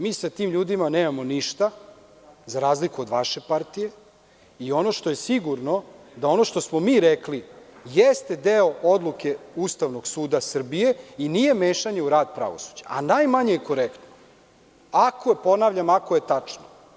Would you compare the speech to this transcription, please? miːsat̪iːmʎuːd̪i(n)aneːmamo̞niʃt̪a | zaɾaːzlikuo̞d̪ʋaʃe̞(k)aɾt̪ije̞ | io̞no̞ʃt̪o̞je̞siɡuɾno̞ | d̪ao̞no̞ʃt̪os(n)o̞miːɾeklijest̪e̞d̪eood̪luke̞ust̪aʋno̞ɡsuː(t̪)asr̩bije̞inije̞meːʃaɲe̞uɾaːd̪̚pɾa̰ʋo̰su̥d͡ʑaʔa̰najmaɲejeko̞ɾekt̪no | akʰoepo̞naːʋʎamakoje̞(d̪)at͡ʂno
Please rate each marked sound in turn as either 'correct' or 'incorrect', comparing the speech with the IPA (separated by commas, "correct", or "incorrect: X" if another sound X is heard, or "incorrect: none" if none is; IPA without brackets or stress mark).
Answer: incorrect: m, incorrect: p, incorrect: m, incorrect: d̪, incorrect: t̪